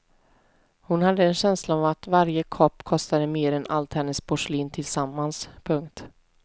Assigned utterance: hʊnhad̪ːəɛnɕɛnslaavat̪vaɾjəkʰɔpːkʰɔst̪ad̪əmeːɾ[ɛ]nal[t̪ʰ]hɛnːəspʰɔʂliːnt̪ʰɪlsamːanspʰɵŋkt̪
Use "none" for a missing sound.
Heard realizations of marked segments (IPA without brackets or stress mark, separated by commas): ɛ, t̪